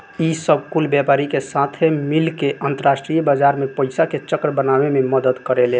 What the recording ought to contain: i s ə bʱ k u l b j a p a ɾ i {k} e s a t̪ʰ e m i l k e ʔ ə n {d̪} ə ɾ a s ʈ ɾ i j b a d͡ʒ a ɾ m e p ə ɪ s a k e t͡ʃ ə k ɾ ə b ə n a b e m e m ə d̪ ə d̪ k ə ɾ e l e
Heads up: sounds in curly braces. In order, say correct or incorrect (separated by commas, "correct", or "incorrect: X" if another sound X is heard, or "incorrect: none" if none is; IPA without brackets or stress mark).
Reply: correct, incorrect: t̪